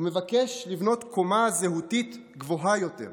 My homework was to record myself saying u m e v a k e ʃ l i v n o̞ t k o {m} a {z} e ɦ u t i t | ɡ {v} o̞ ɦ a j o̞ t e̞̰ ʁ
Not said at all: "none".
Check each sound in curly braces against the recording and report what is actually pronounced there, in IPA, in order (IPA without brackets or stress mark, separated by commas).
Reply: m, z, v